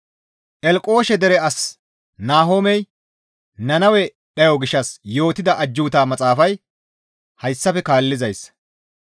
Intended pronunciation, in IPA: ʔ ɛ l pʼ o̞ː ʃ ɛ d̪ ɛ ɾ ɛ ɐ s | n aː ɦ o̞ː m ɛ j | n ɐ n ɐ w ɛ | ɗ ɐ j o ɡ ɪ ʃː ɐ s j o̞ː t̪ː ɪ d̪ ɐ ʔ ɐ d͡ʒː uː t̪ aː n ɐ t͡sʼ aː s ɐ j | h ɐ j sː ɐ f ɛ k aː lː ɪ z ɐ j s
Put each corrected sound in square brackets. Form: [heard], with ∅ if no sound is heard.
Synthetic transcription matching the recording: ʔ ɛ l [kʼ] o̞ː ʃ ɛ d̪ ɛ ɾ ɛ ɐ s | n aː ɦ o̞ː m ɛ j | n ɐ n ɐ w ɛ | ɗ ɐ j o ɡ ɪ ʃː ɐ s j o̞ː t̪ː ɪ d̪ ɐ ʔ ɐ d͡ʒː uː t̪ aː [m] ɐ t͡sʼ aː [f] ɐ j | h ɐ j sː ɐ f ɛ k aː lː ɪ z ɐ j s